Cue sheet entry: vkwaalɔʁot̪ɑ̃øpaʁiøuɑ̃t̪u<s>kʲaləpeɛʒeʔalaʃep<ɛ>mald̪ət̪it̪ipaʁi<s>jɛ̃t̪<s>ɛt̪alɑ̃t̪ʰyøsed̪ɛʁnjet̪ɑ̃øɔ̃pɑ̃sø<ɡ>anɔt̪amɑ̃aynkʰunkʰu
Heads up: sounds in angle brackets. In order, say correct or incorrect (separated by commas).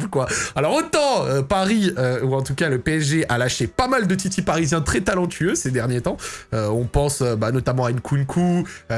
incorrect, incorrect, incorrect, incorrect, incorrect